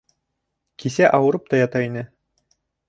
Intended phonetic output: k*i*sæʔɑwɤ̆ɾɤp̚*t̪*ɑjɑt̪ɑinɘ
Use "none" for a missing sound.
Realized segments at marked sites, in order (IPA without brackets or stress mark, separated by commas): i, t̪